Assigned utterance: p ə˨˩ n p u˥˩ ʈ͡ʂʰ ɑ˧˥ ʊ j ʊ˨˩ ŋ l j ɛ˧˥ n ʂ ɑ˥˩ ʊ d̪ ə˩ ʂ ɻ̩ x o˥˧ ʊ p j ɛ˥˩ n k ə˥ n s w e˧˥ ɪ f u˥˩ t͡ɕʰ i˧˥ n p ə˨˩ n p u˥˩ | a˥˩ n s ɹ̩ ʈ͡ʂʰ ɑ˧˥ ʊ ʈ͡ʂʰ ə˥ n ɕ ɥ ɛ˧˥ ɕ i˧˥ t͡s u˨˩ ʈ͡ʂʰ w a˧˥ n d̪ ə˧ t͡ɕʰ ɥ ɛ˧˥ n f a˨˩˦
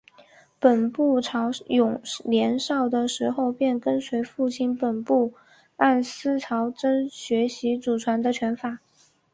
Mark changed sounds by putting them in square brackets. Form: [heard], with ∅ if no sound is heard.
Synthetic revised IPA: p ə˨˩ n p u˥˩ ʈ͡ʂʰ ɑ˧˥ ʊ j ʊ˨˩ ŋ l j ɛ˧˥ n ʂ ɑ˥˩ ʊ d̪ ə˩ ʂ ɻ̩ x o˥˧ ʊ p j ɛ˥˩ n k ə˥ n s w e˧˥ ɪ f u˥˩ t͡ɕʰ [i˥˩] n p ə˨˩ n p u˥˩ | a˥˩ n s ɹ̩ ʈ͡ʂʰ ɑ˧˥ ʊ [ʈ͡ʂ] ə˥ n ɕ ɥ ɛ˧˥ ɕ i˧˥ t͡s u˨˩ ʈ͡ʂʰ w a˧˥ n d̪ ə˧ t͡ɕʰ ɥ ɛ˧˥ n f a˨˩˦